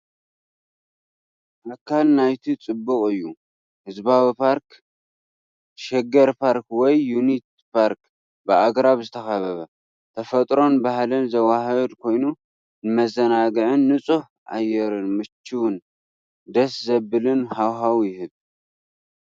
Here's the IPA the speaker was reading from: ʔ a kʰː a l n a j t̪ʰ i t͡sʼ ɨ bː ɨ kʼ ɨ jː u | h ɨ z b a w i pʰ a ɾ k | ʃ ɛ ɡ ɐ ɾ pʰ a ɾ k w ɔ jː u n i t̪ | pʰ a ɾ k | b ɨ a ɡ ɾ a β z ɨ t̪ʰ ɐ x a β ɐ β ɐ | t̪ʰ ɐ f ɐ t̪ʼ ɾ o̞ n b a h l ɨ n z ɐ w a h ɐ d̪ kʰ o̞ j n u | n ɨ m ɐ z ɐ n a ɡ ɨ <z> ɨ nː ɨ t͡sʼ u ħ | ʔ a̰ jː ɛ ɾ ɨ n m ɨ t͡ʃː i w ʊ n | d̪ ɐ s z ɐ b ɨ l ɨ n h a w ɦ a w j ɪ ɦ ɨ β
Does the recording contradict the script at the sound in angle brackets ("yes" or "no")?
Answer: yes